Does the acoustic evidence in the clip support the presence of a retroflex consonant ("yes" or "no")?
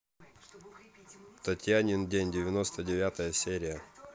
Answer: no